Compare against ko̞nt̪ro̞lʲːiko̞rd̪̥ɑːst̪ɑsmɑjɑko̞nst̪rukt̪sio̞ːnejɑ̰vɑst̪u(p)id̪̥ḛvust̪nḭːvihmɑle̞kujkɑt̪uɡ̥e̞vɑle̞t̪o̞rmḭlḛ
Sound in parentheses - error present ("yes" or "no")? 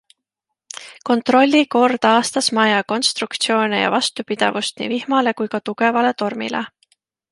no